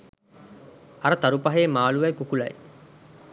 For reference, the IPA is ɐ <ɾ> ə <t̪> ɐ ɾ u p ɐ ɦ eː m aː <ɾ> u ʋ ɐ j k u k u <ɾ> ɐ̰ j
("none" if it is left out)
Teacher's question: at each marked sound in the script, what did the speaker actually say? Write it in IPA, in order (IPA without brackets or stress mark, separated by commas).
ɾ, t̪, l, l